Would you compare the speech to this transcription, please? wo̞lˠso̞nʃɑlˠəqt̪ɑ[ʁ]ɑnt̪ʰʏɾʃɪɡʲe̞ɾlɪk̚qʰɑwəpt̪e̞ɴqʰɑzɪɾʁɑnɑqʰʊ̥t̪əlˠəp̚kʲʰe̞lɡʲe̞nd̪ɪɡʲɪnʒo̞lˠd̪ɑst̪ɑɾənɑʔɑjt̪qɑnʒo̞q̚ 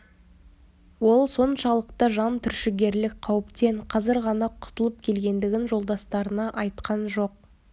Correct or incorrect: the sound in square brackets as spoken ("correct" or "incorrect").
incorrect